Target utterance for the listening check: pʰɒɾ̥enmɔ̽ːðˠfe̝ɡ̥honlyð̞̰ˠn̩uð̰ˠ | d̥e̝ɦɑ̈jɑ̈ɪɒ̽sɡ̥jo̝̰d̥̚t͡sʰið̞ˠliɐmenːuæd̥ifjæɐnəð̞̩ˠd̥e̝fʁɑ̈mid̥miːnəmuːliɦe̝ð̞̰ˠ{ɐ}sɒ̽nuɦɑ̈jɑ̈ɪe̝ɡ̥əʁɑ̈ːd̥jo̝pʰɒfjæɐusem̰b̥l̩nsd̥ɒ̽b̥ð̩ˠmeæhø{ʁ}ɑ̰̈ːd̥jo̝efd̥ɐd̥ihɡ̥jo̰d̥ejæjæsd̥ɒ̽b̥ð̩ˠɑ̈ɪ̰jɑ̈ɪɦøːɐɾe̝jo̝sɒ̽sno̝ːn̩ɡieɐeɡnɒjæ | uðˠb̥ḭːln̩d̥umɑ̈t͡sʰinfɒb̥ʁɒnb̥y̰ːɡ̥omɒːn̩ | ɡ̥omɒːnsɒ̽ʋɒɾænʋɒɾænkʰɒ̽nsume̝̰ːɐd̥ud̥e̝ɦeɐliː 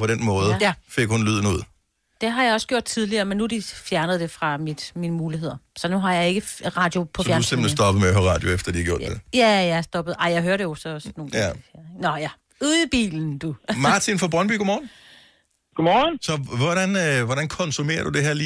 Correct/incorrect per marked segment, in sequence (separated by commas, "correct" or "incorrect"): correct, correct